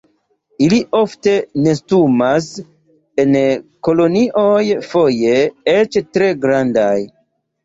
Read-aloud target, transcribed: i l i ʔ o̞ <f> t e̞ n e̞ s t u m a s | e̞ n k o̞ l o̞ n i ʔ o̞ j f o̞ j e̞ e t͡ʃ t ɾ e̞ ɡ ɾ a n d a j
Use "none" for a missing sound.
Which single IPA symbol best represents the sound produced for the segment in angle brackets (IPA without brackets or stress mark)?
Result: f